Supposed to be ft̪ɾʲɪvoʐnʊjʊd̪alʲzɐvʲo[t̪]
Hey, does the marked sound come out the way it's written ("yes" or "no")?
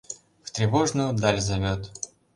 yes